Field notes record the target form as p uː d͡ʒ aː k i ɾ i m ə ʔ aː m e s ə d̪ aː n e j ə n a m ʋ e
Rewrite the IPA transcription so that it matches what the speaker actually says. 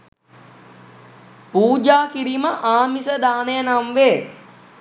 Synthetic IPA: p uː d͡ʒ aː k i ɾ i m ə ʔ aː m i s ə d̪ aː n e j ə n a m ʋ e